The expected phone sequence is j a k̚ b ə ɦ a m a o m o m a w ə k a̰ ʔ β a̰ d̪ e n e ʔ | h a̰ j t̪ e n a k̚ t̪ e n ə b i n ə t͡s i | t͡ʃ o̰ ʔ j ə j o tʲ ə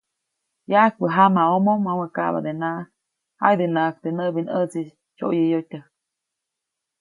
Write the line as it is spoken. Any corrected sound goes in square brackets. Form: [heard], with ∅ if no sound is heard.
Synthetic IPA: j a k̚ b ə ɦ a m a o m o m a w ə k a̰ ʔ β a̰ d̪ e n [a] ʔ | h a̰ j [d̪] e n a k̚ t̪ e n ə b i n ə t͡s i | t͡ʃ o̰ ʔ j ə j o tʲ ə

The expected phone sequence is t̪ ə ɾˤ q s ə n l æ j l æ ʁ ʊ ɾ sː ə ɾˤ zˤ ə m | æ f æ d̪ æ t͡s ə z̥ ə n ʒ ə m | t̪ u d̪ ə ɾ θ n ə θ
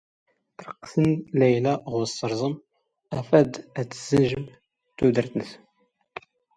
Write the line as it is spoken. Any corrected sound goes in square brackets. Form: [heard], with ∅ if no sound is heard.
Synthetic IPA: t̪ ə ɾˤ q s ə n l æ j l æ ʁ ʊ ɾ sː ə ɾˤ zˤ ə m | æ f æ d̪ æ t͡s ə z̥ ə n ʒ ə m | t̪ u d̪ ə ɾ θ n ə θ

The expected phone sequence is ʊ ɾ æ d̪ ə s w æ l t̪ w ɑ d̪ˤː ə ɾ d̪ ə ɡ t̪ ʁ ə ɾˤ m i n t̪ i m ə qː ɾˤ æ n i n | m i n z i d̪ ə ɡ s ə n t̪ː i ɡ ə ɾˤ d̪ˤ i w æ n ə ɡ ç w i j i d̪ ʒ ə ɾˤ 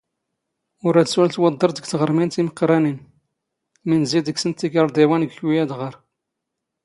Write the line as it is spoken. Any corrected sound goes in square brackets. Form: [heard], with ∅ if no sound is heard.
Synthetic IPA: ʊ ɾ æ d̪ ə s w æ l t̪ w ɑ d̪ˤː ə ɾ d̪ ə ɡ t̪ ʁ ə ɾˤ m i n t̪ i m ə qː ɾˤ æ n i n | m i n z i d̪ ə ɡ s ə n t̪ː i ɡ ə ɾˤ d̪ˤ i w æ n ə ɡ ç w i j [æ] d̪ [ʁ] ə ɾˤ

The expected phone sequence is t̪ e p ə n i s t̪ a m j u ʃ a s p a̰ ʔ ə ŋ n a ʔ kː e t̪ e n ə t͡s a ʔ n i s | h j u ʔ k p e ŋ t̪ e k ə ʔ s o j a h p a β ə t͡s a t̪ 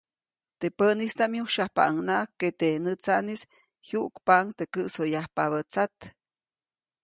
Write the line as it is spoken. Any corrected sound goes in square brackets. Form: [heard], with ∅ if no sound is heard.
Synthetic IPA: t̪ e p ə n i s t̪ a m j u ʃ a [h] p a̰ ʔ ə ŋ n a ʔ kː e t̪ e n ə t͡s a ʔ n i s | h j u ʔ k p [a] ŋ t̪ e k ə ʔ s o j a h p a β ə t͡s a t̪

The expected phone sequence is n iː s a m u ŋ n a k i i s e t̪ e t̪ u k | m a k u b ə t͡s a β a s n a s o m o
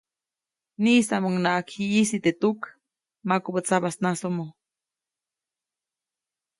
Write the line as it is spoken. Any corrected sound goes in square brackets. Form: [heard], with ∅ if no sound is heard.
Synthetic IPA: n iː s a m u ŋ n a k i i s [i] t̪ e t̪ u k | m a k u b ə t͡s a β a s n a s o m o

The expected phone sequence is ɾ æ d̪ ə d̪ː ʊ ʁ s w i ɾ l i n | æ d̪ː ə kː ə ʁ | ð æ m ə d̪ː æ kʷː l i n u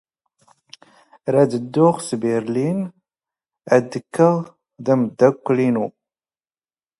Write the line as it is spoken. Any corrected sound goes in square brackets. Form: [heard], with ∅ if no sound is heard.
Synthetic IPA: ɾ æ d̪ ə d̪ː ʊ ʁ s [b] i ɾ l i n | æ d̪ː ə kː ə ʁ | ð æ m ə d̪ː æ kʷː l i n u

